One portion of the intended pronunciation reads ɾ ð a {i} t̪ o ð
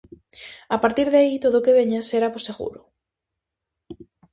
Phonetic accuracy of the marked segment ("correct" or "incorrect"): correct